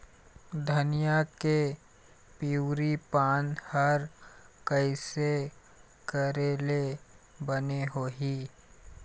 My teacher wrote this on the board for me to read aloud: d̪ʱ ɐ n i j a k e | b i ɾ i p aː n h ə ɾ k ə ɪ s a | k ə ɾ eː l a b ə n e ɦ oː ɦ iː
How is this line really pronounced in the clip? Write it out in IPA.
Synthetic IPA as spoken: d̪ʱ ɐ n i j a k e | p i ɾ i p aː n h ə ɾ k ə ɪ s e | k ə ɾ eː l e b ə n e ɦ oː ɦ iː